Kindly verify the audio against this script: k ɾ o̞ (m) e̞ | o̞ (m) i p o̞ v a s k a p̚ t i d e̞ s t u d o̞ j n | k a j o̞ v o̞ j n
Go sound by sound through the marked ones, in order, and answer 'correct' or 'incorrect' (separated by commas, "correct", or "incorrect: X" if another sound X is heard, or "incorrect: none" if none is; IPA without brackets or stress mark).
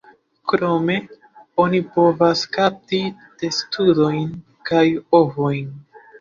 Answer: correct, incorrect: n